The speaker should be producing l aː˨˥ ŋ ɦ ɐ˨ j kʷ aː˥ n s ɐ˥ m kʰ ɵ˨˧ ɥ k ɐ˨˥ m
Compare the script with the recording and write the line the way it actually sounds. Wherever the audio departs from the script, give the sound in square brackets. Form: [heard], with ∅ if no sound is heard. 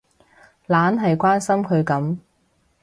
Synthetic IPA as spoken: l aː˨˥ [n] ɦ ɐ˨ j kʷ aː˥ n s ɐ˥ m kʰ ɵ˨˧ ɥ k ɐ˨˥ m